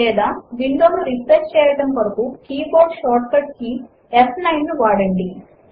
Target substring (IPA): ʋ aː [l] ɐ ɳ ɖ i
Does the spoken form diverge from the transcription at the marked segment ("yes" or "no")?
yes